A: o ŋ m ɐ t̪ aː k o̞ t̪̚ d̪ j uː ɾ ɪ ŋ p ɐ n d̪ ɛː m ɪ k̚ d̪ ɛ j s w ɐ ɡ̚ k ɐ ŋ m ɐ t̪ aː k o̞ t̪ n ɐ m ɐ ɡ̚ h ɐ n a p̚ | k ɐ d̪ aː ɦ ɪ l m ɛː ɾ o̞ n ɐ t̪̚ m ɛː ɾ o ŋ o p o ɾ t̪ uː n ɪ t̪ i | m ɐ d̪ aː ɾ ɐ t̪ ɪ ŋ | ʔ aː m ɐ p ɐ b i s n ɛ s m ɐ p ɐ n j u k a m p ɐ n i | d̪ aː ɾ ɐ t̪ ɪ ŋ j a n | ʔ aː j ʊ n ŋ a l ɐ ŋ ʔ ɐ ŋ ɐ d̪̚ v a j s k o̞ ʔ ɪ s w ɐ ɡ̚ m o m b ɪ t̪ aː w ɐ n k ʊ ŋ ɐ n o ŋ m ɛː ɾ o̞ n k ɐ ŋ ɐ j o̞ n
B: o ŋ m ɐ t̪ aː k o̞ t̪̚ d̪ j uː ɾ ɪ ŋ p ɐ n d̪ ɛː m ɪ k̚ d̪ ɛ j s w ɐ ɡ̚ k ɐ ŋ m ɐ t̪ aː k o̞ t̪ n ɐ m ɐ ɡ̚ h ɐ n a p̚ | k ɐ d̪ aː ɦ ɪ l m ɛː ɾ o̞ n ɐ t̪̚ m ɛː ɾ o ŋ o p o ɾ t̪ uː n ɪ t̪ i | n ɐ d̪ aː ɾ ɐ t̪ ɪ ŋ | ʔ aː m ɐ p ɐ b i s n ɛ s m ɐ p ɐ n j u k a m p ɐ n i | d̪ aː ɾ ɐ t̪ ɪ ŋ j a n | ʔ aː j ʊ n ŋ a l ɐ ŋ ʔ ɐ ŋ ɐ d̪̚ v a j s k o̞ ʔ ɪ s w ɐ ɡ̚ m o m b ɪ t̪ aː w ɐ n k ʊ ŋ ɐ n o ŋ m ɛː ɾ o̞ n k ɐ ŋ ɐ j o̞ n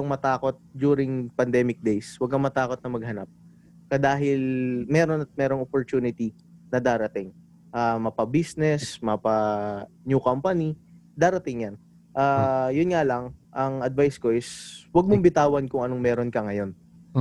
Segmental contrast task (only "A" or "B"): B